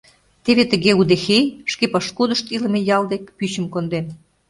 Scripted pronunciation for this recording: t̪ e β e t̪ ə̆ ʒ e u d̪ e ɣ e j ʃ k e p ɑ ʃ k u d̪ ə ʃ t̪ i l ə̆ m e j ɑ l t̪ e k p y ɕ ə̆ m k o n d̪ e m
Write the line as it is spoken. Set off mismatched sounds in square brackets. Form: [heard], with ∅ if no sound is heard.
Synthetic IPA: t̪ e β e t̪ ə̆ [ɣ] e u d̪ e [x] e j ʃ k e p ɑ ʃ k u d̪ ə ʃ t̪ i l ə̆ m e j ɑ l [d̪] e k p y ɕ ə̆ m k o n d̪ e m